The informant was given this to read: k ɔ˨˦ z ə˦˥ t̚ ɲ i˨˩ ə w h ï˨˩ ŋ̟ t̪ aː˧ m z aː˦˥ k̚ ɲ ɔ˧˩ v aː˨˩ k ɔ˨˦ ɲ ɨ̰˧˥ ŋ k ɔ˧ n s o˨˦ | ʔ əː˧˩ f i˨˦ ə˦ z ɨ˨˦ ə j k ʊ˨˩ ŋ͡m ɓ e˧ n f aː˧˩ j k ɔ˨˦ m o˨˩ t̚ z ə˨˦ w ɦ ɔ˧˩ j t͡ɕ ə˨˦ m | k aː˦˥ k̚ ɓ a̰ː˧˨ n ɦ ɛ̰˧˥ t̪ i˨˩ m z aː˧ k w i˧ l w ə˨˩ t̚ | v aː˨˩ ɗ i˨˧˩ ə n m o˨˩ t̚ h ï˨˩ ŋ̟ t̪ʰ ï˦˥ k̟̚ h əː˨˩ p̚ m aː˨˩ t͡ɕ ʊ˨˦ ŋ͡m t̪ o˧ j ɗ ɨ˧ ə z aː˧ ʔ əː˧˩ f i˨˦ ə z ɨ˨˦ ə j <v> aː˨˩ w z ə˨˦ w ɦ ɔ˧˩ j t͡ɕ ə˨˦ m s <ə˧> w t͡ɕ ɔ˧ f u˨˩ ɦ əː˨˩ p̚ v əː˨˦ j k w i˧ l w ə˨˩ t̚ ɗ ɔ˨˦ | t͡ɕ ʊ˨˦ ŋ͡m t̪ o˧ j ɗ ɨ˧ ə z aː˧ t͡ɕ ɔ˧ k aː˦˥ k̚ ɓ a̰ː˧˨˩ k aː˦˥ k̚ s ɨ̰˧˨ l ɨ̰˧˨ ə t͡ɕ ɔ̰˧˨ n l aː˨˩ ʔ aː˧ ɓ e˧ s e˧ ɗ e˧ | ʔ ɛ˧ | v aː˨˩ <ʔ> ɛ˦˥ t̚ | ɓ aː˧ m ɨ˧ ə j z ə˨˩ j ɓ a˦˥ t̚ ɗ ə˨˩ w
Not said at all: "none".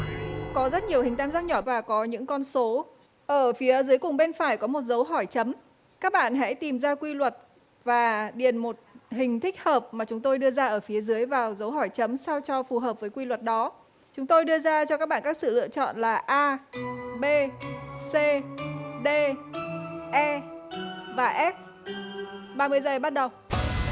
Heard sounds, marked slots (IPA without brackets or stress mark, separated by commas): v, a˧, ʔ